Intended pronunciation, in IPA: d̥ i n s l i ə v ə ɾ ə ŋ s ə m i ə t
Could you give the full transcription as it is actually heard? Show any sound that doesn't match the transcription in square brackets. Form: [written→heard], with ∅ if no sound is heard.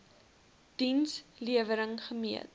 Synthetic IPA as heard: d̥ i n s l i ə v ə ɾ ə ŋ [s→χ] ə m i ə t